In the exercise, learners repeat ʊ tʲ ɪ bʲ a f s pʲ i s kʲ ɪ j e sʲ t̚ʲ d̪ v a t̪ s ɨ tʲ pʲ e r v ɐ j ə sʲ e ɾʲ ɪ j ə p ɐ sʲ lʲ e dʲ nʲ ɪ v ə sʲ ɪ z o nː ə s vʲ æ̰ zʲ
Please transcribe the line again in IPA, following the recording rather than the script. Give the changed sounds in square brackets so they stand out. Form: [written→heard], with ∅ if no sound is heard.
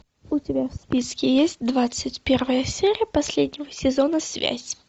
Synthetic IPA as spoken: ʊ tʲ ɪ bʲ a f s pʲ i s kʲ ɪ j e sʲ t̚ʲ d̪ v a t̪ s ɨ tʲ pʲ e r v [ɐ→ə] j ə sʲ e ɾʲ ɪ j ə p ɐ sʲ lʲ e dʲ nʲ ɪ v ə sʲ ɪ z o [nː→n] ə s vʲ æ̰ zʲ

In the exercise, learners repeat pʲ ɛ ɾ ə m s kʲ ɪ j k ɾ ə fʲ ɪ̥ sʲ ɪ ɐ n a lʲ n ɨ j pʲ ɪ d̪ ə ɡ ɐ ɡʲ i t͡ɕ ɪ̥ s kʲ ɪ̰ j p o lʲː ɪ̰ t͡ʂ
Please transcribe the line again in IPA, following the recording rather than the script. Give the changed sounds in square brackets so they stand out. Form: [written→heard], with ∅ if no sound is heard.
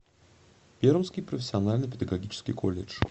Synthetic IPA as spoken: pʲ [ɛ→e] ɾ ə m s kʲ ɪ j [k→p] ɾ ə fʲ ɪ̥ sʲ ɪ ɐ n a lʲ n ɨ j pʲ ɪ d̪ ə ɡ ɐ ɡʲ i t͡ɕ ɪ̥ s kʲ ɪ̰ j [p→k] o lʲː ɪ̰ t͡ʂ

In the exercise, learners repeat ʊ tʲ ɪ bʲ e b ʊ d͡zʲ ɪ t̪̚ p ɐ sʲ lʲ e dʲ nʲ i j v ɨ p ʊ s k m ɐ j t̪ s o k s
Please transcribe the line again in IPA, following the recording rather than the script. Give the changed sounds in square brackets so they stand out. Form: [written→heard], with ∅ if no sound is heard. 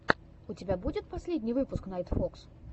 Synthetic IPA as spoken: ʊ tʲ ɪ bʲ [e→a] b [ʊ→u] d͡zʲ ɪ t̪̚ p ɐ sʲ lʲ e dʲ nʲ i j v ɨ p ʊ s k [m→n] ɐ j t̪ [s→f] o k s

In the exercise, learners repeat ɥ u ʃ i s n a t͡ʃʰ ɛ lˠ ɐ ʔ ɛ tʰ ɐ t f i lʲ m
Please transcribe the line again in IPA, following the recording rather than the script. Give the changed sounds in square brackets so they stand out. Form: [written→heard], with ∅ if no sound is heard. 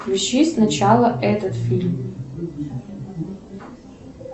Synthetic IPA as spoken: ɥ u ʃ i s n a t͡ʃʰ [ɛ→a] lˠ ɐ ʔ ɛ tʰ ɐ t f i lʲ m

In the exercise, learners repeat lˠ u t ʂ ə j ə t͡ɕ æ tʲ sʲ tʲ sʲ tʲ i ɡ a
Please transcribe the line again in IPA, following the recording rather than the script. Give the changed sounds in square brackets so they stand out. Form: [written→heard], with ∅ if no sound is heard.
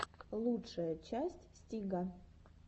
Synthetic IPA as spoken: lˠ u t ʂ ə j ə t͡ɕ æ [tʲ→∅] sʲ tʲ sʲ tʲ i ɡ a

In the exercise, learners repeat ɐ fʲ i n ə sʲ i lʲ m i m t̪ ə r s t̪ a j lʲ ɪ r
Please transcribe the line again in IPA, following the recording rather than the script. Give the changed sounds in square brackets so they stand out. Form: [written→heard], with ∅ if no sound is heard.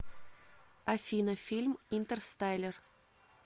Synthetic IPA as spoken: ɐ fʲ i n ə [sʲ→fʲ] i lʲ m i [m→n] t̪ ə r s t̪ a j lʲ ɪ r

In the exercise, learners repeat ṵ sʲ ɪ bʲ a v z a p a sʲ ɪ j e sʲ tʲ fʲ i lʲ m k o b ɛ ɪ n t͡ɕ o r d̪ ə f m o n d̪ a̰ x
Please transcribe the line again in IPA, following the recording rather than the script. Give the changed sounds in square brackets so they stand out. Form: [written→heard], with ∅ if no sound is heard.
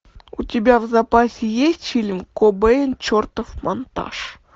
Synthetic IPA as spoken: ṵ [sʲ→tʲ] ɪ bʲ a v z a p a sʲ ɪ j e sʲ tʲ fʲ i lʲ m k o b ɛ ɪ n t͡ɕ o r [d̪→t̪] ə f m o n [d̪→t̪] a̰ [x→ʂ]

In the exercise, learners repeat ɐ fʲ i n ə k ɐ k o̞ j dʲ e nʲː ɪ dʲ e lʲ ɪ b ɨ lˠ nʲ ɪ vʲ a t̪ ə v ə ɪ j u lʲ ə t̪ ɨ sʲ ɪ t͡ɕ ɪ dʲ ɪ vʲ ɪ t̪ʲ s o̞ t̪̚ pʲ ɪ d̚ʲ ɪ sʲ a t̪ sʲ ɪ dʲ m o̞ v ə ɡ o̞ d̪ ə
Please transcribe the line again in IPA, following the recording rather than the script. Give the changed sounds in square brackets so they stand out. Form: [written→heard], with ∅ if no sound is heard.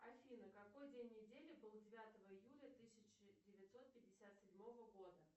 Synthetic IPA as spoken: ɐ fʲ i n ə k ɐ k o̞ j dʲ e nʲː ɪ dʲ e lʲ ɪ b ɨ lˠ [nʲ→dʲ] ɪ vʲ a t̪ ə v ə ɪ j u lʲ ə t̪ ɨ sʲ ɪ t͡ɕ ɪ dʲ ɪ vʲ ɪ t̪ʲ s o̞ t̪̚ pʲ ɪ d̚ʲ ɪ sʲ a t̪ sʲ ɪ dʲ m o̞ v ə ɡ o̞ d̪ ə

